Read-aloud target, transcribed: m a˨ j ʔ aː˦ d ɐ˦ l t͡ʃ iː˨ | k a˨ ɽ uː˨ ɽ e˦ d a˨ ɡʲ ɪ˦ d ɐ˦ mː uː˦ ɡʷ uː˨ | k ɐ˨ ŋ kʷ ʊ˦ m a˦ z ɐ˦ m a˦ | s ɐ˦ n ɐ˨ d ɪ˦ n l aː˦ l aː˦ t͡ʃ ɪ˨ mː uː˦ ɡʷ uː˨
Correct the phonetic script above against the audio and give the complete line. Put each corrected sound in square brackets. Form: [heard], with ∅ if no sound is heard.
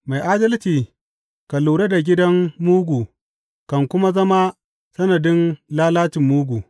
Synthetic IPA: m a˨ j ʔ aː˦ d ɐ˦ l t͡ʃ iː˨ | k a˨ [l] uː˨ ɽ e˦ d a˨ ɡʲ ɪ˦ d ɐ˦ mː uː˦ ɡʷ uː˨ | k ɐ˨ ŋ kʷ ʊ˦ m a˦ z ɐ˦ m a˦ | s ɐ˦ n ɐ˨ d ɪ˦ n l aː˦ l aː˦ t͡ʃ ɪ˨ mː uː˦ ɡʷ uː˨